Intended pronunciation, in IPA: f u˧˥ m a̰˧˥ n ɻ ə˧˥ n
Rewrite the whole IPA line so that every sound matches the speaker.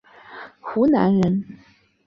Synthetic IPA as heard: x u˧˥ n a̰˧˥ n ɻ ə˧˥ n